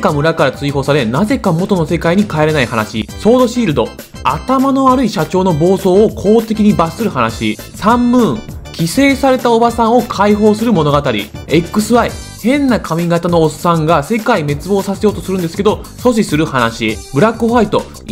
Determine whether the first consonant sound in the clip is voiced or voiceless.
voiceless